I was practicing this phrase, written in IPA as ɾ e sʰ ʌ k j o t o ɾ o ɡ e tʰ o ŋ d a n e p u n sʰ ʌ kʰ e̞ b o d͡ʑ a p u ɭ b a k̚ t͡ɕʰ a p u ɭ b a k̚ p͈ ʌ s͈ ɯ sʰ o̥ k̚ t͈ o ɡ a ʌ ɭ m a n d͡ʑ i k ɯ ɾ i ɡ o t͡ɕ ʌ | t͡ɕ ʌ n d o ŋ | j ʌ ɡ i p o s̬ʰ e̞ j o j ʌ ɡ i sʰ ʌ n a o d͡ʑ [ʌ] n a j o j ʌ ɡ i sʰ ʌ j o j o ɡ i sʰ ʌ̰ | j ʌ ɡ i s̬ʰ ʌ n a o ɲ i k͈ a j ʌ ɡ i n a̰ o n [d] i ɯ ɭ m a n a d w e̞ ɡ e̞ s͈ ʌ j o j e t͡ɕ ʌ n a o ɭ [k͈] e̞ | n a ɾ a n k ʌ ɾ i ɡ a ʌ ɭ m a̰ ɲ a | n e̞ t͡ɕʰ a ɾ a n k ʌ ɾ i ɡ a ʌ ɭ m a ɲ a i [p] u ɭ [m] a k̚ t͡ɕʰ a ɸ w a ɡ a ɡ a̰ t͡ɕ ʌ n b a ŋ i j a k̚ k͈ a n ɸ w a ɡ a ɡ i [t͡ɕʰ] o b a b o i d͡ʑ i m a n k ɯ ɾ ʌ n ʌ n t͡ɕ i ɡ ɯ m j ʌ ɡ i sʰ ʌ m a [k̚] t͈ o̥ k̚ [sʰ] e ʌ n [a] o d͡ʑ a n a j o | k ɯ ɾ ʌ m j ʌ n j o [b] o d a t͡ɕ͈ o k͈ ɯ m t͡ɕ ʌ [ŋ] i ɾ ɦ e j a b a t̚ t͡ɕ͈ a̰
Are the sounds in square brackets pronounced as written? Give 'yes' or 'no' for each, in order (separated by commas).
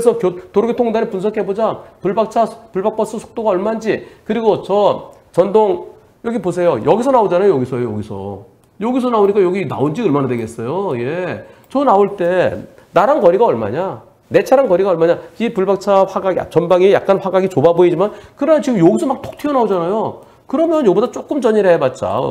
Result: no, no, no, yes, no, no, yes, no, yes, yes, no